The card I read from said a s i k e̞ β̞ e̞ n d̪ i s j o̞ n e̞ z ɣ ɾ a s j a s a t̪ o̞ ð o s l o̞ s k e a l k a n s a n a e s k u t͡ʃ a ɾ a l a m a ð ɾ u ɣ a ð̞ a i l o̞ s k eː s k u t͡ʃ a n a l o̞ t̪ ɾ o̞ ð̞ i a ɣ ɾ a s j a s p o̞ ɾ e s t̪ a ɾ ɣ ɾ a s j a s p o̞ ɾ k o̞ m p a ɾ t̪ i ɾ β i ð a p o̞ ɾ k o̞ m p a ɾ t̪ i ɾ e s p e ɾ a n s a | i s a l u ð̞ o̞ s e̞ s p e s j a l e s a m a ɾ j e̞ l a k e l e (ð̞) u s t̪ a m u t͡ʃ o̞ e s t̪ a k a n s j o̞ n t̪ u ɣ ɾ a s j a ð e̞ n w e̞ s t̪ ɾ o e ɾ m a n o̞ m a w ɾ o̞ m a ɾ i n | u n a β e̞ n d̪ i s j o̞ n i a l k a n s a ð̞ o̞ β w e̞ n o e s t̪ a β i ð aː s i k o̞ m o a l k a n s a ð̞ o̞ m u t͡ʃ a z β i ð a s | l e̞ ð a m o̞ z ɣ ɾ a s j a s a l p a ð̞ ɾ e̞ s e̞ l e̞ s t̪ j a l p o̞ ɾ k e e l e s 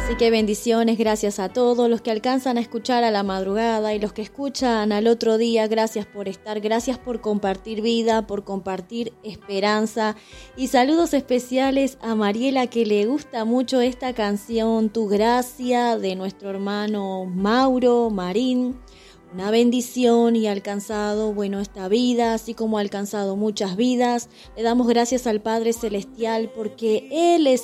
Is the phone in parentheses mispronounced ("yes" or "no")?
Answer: yes